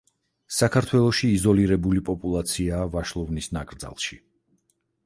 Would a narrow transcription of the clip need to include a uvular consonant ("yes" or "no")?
no